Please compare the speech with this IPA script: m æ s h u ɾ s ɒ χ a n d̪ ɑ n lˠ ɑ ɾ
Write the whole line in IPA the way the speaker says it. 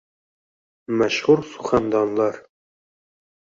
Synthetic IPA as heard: m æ ʃ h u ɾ s u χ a n d̪ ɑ n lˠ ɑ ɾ